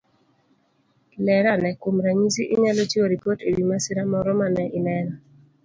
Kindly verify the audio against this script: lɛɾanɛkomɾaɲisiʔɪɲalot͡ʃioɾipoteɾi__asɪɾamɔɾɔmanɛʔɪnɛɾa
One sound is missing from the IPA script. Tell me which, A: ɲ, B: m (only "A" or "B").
B